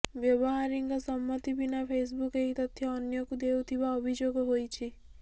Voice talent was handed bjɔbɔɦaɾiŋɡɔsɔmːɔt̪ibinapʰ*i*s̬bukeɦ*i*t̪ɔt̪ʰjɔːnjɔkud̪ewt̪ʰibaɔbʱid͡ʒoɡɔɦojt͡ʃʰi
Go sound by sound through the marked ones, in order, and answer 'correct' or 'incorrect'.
incorrect, correct

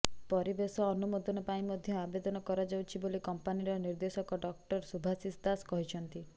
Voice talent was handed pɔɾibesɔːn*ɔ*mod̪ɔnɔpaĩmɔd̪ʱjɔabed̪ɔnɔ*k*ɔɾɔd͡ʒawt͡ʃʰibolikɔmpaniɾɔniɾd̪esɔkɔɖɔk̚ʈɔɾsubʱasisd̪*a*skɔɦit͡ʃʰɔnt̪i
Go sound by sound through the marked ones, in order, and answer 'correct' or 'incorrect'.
incorrect, correct, correct

